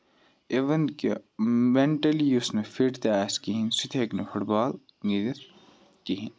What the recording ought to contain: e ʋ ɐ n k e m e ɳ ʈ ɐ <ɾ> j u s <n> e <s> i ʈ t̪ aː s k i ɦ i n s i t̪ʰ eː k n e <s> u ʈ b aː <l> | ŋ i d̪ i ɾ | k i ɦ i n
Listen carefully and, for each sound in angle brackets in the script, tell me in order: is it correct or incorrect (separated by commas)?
incorrect, correct, incorrect, incorrect, correct